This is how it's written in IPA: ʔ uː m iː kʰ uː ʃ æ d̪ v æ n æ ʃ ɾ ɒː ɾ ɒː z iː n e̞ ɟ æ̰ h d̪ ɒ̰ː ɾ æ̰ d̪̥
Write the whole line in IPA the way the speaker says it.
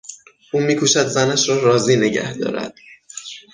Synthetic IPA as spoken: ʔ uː m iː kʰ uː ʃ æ d̪ z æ n æ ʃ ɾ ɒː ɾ ɒː z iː n e̞ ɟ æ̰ h d̪ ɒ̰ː ɾ æ̰ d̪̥